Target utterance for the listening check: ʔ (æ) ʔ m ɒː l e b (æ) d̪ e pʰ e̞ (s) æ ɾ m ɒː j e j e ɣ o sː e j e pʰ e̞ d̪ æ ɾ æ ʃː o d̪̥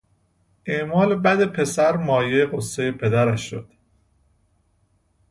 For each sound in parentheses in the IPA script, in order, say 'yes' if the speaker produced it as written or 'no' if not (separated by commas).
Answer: no, yes, yes